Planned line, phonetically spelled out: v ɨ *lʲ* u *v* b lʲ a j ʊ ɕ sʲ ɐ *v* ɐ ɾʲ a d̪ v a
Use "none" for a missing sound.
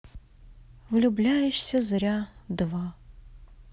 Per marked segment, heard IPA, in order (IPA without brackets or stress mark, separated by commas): lʲ, none, z